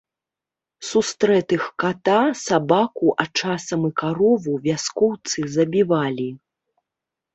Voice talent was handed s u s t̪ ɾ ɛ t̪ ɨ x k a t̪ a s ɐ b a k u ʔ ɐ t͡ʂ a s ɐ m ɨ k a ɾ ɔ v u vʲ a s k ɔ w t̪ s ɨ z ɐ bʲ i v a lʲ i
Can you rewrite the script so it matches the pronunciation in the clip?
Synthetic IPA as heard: s u s t̪ ɾ ɛ t̪ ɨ x k a t̪ a s a b a k u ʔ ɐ t͡ʂ a s ɐ m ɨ k a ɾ ɔ v u vʲ a s k ɔ w t̪ s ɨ z ɐ bʲ i v a lʲ i